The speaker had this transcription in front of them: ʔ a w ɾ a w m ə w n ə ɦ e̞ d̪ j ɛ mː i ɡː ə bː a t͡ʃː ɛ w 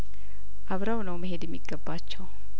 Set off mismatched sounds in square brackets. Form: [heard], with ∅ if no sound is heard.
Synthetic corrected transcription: ʔ a [β] ɾ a w [n] ə w [m] ə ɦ e̞ d̪ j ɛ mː i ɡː ə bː a t͡ʃː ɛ w